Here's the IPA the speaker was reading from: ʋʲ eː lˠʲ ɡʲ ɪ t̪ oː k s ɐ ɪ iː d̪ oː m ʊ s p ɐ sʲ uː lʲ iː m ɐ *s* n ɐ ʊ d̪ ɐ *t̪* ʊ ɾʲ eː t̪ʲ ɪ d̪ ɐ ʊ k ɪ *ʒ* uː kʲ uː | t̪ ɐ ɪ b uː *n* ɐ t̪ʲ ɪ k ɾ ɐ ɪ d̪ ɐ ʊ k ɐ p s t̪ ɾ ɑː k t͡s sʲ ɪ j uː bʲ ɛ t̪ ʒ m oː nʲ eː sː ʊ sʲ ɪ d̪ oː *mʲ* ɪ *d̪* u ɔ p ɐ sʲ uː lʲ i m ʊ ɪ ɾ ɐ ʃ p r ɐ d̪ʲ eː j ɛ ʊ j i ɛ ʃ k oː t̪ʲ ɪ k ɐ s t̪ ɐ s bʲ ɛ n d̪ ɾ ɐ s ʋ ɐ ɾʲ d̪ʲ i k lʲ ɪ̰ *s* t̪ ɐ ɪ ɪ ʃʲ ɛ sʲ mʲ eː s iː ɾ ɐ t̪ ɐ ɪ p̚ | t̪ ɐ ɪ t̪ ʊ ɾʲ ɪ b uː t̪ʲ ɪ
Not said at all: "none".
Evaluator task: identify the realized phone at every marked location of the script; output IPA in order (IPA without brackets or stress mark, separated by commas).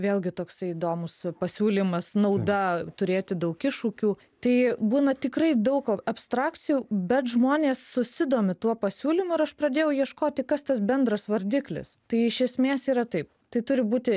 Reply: s, t̪, ʃ, n, mʲ, t̪, s